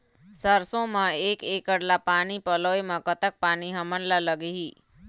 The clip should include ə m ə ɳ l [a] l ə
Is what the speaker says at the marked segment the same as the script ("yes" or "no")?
yes